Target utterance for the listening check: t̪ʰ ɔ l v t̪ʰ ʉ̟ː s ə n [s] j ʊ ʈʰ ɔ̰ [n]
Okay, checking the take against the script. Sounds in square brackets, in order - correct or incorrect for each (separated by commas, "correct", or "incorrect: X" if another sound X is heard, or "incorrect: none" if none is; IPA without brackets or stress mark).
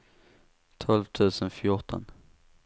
incorrect: f, correct